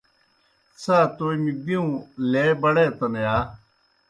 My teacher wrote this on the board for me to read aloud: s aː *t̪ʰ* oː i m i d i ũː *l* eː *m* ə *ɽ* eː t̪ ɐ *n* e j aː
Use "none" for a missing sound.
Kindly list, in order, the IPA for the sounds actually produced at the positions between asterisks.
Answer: t̪, l, b, ɽ, n

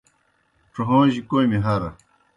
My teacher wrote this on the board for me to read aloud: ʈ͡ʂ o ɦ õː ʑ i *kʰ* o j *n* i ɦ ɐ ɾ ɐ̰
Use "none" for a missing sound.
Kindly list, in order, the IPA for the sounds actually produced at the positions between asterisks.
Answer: k, m

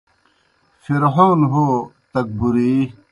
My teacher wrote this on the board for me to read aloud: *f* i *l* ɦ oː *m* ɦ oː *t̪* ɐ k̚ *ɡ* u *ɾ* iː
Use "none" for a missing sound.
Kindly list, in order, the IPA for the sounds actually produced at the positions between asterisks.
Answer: f, ɾ, n, t̪, b, ɾ

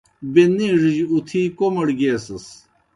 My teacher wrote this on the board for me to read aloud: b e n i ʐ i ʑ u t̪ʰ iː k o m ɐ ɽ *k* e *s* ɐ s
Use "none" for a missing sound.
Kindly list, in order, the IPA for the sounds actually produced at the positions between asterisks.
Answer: ɡ, s

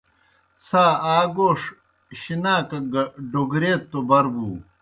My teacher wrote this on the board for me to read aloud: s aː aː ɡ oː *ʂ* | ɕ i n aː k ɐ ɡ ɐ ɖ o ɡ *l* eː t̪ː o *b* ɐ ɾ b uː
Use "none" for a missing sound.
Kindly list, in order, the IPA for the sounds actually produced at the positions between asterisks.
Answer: ʂ, ɾ, b

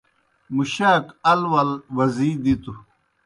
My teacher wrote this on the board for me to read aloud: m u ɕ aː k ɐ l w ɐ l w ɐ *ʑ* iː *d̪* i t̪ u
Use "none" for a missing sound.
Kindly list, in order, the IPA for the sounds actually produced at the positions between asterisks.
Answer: z, d̪

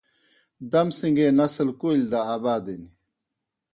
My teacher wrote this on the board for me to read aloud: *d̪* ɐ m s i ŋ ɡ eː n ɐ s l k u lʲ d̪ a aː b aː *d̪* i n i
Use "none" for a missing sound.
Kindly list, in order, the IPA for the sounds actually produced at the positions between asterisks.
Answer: d̪, d̪

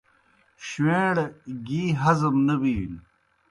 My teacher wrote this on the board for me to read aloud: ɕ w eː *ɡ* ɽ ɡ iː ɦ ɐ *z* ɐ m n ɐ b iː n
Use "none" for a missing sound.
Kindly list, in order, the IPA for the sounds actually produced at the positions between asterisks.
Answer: none, z

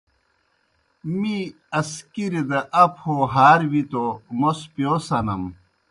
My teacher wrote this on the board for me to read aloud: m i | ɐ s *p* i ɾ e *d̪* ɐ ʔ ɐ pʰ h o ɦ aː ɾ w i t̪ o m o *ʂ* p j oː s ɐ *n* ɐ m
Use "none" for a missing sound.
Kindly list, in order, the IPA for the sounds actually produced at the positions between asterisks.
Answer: k, d̪, s, n

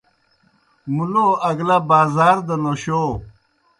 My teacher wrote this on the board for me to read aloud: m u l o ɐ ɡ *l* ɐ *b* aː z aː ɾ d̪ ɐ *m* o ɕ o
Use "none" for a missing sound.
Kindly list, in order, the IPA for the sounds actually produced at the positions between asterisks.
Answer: l, b, n

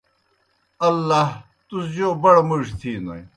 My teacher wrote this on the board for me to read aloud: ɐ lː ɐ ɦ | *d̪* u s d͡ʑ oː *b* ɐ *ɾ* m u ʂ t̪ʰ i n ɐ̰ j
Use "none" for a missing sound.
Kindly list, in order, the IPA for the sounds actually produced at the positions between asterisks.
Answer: t̪, b, ɽ

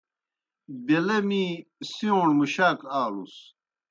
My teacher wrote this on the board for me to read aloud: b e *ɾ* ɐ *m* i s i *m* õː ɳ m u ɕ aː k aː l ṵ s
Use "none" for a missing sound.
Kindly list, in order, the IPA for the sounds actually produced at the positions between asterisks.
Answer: l, m, none

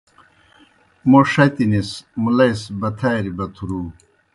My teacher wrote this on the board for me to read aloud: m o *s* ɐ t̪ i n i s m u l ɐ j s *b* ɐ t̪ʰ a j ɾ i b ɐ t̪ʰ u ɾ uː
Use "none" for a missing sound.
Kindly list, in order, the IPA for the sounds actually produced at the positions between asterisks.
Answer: ʂ, b

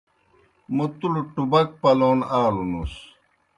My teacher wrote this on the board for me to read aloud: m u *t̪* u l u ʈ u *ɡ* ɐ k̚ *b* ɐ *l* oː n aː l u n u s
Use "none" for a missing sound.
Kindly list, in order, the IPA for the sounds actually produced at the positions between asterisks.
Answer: t̪, b, p, l

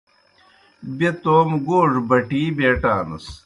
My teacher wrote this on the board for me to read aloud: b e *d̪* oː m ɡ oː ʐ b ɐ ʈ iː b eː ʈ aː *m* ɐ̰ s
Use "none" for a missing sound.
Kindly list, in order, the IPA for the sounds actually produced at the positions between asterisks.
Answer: t̪, n

